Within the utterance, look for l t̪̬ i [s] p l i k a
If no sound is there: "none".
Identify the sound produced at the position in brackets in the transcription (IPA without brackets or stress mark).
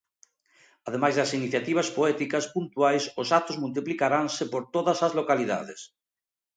none